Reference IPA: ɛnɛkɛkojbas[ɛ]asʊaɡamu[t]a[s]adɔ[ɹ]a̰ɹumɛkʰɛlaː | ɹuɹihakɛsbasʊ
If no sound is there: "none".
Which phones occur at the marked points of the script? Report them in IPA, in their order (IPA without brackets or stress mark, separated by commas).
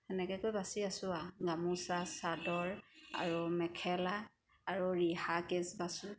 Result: i, s, s, ɹ